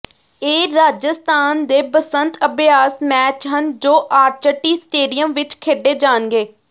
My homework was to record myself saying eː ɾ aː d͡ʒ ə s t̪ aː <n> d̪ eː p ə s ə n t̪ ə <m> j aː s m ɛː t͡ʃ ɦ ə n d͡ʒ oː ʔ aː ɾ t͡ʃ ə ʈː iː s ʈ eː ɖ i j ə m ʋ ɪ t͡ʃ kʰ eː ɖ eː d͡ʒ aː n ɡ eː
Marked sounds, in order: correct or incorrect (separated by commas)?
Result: correct, incorrect